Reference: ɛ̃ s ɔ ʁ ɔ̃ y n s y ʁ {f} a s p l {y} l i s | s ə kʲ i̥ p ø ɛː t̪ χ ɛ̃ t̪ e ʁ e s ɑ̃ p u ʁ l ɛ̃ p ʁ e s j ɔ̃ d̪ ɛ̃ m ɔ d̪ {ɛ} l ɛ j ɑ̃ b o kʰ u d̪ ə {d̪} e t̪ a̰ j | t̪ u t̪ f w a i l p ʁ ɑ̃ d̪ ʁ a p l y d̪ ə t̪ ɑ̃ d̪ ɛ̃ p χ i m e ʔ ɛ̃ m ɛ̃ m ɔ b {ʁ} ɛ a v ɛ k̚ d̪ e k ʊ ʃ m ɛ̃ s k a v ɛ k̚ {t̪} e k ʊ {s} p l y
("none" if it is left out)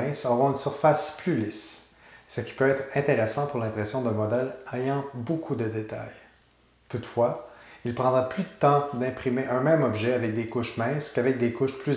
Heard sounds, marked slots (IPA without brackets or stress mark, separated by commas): f, y, ɛ, d̪, ʒ, d̪, ʃ